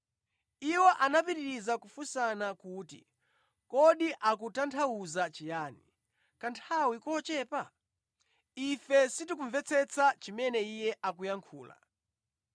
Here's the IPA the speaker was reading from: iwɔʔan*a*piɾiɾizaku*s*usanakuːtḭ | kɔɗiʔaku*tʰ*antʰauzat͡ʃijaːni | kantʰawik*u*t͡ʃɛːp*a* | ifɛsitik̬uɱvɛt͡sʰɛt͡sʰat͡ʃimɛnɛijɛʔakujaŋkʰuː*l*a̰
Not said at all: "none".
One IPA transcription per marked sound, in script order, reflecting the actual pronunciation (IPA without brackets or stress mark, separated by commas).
a, f, t, ɔ, a, l